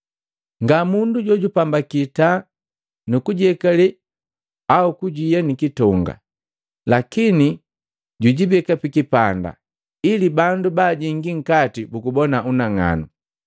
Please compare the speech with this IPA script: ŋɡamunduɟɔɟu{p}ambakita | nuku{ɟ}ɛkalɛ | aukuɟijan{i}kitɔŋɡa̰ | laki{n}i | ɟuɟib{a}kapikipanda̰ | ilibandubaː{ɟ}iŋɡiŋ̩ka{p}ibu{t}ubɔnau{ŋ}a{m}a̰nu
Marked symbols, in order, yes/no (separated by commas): yes, yes, yes, yes, no, yes, no, no, no, no